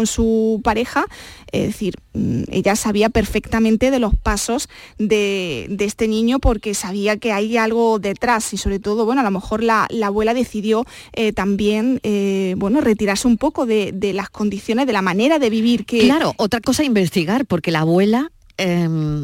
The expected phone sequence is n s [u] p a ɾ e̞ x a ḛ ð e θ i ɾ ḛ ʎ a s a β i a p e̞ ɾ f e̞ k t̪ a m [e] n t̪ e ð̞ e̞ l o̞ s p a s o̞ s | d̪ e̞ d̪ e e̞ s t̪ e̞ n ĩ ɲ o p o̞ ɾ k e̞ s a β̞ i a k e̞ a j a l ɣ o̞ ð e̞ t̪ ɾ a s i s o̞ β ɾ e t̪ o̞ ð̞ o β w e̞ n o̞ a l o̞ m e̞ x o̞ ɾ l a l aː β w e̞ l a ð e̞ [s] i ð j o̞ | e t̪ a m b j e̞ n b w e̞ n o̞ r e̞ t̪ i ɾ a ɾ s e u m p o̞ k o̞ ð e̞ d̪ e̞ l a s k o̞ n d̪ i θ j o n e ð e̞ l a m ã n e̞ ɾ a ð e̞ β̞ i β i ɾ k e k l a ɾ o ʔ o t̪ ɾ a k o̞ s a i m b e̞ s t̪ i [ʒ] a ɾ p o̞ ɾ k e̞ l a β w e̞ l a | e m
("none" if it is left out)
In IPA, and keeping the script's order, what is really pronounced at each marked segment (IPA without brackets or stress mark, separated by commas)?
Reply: u, ẽ, θ, ɣ